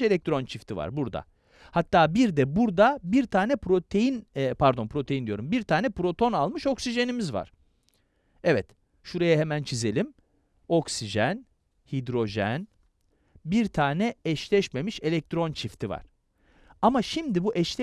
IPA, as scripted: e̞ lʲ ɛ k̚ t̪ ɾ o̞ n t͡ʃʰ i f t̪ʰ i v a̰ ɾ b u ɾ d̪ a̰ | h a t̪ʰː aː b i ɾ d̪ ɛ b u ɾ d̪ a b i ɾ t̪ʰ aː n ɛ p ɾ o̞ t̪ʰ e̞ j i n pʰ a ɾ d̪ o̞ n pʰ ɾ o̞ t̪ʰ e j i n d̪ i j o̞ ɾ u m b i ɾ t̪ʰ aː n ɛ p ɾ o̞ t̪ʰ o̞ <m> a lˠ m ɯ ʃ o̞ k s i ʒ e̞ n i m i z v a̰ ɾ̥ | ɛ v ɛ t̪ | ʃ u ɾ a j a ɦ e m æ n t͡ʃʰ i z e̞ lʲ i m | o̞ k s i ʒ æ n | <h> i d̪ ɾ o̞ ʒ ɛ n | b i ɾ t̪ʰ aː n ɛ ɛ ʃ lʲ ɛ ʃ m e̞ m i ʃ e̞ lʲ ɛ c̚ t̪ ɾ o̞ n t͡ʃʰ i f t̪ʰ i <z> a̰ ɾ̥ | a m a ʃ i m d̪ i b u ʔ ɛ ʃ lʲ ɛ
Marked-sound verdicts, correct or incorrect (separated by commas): incorrect, correct, incorrect